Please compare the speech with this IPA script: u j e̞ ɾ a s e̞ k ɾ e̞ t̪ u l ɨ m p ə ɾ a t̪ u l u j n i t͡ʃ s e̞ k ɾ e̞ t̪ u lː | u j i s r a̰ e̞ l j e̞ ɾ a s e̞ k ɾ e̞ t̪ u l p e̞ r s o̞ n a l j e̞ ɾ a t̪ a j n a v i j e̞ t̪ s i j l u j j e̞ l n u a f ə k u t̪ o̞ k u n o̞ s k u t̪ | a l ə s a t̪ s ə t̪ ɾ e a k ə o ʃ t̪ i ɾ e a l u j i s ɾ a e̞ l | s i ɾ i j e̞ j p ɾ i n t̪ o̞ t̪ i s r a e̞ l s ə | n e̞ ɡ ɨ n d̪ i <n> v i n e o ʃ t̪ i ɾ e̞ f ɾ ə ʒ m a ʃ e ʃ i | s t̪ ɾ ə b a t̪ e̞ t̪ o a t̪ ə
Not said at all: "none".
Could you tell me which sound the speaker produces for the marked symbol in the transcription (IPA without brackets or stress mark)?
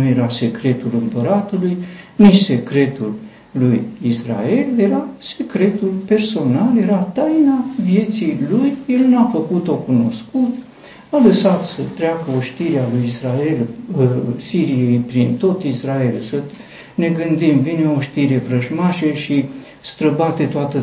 m